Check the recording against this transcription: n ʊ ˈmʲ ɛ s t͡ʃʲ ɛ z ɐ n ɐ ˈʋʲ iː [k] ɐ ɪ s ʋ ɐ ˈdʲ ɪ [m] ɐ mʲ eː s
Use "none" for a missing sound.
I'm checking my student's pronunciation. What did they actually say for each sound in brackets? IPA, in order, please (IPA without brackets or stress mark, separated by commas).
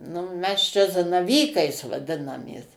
k, n